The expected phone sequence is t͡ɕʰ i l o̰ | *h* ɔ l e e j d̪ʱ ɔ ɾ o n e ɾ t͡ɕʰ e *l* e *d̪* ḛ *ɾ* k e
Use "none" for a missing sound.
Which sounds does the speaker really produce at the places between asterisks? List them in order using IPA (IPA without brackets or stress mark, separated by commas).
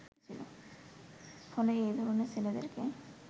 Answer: f, l, d̪, ɾ